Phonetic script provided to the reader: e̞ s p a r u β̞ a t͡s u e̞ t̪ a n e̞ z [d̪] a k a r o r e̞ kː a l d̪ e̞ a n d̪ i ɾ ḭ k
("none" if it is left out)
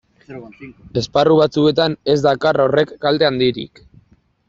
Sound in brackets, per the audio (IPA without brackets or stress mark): d̪